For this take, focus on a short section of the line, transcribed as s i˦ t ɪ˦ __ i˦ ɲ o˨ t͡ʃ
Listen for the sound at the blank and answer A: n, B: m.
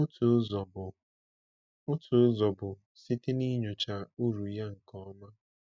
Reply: A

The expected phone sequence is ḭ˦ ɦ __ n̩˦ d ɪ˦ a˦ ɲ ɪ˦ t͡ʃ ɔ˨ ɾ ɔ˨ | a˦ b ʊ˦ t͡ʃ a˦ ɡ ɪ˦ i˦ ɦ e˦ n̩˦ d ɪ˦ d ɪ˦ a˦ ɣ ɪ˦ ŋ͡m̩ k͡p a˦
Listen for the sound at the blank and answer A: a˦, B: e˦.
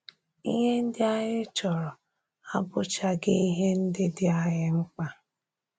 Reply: B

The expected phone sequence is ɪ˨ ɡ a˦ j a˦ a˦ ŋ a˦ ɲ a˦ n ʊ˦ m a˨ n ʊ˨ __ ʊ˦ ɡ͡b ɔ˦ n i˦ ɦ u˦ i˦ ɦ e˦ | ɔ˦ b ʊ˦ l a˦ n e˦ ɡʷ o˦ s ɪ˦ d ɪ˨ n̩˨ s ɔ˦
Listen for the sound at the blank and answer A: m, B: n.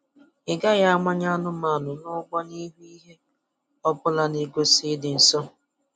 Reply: B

